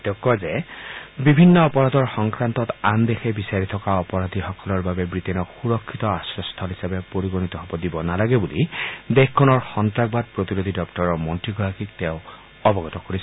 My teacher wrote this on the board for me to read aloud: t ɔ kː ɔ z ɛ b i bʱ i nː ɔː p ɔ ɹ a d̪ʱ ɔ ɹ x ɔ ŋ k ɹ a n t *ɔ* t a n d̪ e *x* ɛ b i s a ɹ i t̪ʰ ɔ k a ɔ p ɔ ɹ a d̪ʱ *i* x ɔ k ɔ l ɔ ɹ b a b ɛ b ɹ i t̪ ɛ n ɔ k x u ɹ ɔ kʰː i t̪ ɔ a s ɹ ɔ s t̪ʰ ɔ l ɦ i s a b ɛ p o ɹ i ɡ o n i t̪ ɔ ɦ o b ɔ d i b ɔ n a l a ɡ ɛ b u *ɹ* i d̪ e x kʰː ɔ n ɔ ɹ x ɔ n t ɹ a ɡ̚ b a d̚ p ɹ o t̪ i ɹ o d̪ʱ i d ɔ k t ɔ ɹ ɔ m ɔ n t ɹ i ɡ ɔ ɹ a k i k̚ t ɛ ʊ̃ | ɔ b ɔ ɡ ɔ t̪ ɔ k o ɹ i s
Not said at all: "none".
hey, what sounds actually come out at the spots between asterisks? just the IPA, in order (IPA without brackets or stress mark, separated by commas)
ɔ, x, i, l